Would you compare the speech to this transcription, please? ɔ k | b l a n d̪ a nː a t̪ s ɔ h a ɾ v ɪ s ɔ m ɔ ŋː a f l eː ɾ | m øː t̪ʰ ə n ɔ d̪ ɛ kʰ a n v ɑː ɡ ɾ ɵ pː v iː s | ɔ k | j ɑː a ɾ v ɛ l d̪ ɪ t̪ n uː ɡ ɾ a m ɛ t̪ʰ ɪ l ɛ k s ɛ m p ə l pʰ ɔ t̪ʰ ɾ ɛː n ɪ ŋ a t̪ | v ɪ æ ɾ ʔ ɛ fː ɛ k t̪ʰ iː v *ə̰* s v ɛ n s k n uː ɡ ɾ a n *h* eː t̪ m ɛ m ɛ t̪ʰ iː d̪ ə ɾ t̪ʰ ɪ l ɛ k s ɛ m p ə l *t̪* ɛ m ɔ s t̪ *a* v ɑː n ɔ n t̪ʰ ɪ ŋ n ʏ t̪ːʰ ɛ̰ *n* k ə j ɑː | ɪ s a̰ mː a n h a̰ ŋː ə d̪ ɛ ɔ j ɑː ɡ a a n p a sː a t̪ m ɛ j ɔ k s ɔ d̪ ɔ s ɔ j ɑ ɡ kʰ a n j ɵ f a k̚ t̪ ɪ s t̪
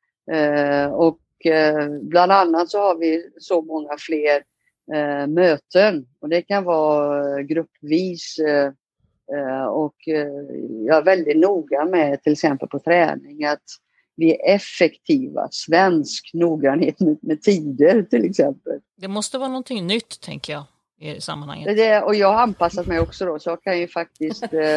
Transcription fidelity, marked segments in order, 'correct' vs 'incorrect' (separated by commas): incorrect, correct, incorrect, incorrect, incorrect